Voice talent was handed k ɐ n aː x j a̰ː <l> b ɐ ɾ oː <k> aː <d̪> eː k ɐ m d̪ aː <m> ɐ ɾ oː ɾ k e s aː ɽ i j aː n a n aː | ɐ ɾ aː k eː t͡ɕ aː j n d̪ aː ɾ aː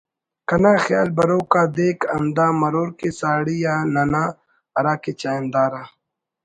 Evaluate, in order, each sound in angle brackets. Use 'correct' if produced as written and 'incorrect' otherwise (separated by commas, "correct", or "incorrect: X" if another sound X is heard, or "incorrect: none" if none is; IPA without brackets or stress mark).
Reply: correct, correct, correct, correct